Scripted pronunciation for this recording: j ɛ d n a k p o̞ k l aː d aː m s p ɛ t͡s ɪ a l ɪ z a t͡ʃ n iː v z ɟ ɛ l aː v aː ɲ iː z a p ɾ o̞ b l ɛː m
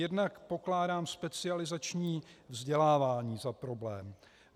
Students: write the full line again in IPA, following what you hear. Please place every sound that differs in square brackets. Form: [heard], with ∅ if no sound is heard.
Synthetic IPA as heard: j ɛ d n a k p o̞ k l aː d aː m s p ɛ t͡s ɪ a l ɪ z a t͡ʃ [ɲ] iː v z ɟ ɛ l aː v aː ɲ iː z a p ɾ o̞ b l ɛː m